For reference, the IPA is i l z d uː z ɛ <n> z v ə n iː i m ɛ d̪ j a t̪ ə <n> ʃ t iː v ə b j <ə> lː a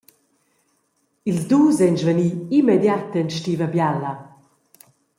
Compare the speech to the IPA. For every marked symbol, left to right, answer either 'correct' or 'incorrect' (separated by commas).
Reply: correct, correct, incorrect